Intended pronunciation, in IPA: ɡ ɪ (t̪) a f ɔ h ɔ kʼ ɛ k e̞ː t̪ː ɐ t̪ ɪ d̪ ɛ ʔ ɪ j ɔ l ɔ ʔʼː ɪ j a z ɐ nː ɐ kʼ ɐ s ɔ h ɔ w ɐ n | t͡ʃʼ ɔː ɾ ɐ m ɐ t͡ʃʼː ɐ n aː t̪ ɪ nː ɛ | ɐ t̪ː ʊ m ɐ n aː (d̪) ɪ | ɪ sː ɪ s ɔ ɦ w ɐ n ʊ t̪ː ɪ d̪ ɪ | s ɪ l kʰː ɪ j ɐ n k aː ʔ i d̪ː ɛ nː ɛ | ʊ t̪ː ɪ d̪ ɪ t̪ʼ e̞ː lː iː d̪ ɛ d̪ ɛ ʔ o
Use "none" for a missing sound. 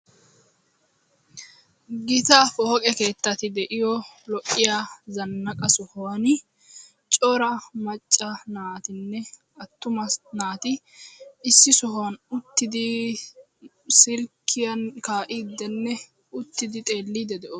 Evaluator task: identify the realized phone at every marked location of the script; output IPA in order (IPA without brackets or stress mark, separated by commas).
t̪, t̪